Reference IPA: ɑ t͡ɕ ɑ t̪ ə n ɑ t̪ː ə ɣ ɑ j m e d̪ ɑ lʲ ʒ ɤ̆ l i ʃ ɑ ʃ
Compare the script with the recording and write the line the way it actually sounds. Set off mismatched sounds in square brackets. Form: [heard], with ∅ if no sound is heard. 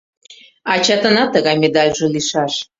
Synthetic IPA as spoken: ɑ t͡ɕ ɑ t̪ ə n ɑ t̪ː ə ɣ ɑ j m e d̪ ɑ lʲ ʒ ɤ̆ l i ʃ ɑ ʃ